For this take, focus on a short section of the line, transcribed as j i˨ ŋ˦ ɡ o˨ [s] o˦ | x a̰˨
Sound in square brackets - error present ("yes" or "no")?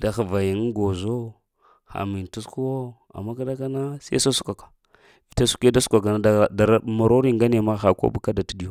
yes